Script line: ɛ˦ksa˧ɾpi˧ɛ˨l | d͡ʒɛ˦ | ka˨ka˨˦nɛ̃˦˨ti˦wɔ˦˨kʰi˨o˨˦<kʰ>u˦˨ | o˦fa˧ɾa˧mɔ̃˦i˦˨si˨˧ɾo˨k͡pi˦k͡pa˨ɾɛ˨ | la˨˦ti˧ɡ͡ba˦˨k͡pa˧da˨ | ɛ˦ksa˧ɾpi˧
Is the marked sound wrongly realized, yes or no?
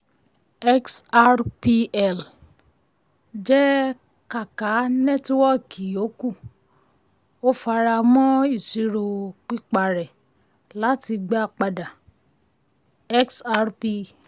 yes